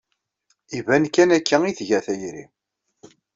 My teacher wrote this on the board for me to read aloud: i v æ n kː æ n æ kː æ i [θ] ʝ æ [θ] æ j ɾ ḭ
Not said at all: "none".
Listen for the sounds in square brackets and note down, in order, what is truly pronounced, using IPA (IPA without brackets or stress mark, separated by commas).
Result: θ, θ